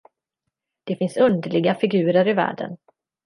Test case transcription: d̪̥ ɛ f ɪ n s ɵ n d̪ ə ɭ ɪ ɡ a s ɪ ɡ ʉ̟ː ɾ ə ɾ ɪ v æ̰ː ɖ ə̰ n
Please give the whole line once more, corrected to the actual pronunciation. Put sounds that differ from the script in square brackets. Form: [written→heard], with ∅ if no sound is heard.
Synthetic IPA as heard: d̪̥ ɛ f ɪ n s ɵ n d̪ ə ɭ ɪ ɡ a [s→f] ɪ ɡ ʉ̟ː ɾ ə ɾ ɪ v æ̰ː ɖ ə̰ n